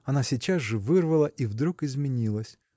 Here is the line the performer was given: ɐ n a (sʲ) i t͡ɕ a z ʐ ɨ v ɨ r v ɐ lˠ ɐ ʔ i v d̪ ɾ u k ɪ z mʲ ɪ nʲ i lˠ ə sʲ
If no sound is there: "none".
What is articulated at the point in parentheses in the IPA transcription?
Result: sʲ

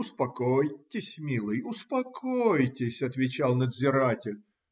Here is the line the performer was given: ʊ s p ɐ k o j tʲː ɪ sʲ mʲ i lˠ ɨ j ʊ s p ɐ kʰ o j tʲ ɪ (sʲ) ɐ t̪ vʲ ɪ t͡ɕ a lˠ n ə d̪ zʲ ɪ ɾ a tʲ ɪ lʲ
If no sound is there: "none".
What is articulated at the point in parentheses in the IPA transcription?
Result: sʲ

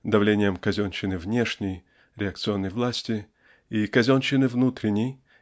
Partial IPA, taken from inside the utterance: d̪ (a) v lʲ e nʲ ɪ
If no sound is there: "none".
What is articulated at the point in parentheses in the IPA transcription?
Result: ɐ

